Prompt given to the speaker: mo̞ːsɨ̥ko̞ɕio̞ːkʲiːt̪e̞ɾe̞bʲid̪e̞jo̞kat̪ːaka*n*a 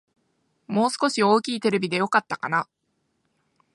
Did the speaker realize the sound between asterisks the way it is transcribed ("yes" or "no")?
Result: yes